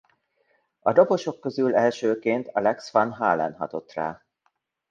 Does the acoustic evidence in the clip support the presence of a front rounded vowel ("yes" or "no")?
yes